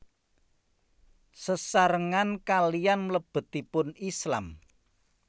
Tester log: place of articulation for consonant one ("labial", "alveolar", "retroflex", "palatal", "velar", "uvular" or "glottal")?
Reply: alveolar